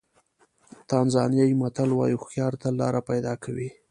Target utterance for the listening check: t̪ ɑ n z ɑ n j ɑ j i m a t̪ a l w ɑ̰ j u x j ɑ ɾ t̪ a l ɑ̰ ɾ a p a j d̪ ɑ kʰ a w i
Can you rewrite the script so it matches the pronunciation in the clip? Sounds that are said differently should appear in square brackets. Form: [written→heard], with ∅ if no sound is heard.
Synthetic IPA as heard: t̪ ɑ n z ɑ n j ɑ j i m a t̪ a l w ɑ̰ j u x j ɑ ɾ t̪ a l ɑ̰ ɾ a p a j d̪ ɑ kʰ a w i

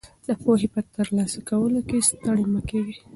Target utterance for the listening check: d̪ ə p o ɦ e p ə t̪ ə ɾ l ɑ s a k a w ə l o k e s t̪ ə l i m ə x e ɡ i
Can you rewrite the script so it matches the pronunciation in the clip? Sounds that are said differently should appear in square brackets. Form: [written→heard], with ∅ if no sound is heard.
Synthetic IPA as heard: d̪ ə p o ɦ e p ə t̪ ə ɾ l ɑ s a k a w ə l o k e s t̪ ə [l→ɽ] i m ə [x→k] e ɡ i

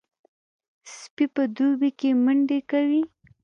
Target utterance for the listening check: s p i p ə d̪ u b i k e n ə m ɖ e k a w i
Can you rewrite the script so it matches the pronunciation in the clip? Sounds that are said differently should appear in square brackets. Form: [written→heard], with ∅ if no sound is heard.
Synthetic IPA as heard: s p i p ə d̪ u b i k e [n→m] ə [m→ɳ] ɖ e k a w i

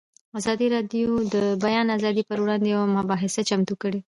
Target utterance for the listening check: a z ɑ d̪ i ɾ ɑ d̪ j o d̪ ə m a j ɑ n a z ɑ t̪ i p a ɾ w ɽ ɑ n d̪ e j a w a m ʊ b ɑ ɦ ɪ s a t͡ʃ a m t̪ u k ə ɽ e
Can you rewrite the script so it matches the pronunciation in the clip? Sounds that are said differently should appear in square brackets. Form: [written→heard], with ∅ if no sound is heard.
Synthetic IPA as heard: a z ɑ d̪ i ɾ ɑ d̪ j o d̪ ə [m→b] a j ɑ n a z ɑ [t̪→d̪] i p [a→ə] ɾ w ɽ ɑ n d̪ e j a w a m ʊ b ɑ ɦ ɪ s a t͡ʃ a m t̪ u k ə ɽ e

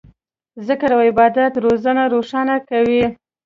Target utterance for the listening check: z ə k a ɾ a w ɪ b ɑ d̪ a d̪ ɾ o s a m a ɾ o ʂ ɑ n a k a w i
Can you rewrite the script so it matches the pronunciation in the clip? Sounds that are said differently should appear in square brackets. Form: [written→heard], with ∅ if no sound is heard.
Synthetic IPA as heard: z ə k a ɾ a w ɪ b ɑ d̪ a [d̪→t̪] ɾ o [s→z] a [m→n] a ɾ o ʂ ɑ n a k a w i

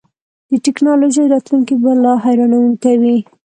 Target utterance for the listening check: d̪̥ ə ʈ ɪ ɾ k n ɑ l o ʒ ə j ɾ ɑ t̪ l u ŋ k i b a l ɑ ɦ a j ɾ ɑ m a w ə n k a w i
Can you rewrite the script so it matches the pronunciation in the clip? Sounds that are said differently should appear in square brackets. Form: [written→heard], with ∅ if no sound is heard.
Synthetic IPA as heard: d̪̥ ə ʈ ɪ [ɾ→∅] k n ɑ l o ʒ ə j ɾ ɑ t̪ l u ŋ k i b a l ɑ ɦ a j ɾ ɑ [m→n] a w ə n k a w i

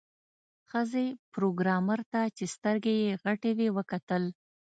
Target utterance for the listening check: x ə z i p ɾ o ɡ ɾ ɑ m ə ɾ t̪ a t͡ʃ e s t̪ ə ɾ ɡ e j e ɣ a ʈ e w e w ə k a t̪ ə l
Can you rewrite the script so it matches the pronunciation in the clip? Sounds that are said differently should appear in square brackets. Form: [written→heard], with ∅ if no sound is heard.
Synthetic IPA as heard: x ə z [i→e] p ɾ o ɡ ɾ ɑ m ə ɾ t̪ a t͡ʃ e s t̪ ə ɾ ɡ e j e ɣ a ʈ e w e w ə k a t̪ ə l

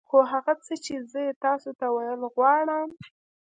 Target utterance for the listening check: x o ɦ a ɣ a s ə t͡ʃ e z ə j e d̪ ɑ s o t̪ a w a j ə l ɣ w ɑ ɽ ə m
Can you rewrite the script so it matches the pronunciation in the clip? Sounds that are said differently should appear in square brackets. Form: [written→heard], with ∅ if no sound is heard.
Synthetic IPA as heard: x o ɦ a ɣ a [s→t͡s] ə t͡ʃ e z ə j e [d̪→t̪] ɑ s o t̪ a w a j ə l ɣ w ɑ ɽ ə m

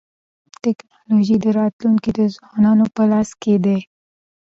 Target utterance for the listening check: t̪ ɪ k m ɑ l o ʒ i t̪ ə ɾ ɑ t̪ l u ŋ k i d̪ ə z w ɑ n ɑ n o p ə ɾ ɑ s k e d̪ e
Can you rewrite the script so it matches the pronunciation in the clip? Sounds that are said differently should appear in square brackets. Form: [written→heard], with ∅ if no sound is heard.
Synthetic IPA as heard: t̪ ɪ k [m→n] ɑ l o ʒ i [t̪→d̪] ə ɾ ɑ t̪ l u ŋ k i d̪ ə z w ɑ n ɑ n o p ə [ɾ→l] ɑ s k e d̪ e

